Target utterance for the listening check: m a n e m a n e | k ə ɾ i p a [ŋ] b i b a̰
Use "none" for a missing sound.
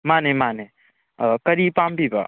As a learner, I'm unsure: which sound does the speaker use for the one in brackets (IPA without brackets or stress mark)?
m